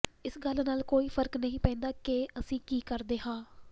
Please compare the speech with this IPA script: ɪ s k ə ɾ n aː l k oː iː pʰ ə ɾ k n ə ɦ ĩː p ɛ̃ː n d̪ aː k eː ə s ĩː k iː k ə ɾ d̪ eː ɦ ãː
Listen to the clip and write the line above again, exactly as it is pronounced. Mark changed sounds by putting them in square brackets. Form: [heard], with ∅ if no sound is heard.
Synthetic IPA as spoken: ɪ s [ɡ] ə [l] n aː l k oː iː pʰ ə ɾ k n ə ɦ ĩː p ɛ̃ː n d̪ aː k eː ə s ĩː k iː k ə ɾ d̪ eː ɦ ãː

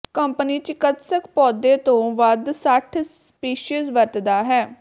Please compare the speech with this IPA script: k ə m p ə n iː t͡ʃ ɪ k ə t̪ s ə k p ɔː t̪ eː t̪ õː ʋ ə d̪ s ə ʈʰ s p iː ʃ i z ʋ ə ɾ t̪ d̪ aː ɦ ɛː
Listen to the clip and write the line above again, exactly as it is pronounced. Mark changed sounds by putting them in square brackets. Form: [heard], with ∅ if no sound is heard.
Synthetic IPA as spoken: k ə m p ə n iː t͡ʃ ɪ k ə t̪ s ə k p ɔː [d̪] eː t̪ õː ʋ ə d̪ s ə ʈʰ s p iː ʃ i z ʋ ə ɾ t̪ d̪ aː ɦ ɛː

